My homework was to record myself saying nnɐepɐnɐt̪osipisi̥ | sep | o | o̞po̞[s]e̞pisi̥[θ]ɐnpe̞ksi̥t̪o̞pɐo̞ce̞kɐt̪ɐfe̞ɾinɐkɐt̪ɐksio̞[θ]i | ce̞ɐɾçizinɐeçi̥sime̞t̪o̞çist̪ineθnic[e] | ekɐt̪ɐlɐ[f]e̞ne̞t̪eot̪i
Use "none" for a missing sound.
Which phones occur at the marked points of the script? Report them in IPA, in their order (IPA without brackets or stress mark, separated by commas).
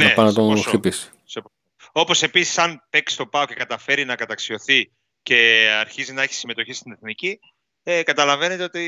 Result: s, s, θ, i, v